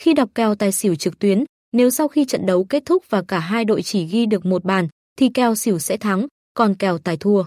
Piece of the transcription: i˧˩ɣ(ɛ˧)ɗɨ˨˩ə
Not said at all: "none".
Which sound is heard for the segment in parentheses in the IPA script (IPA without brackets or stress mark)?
i˧